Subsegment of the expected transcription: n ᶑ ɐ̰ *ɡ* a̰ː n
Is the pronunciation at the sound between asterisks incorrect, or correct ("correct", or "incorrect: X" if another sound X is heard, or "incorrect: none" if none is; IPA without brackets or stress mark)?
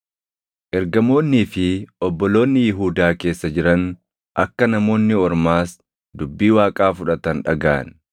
correct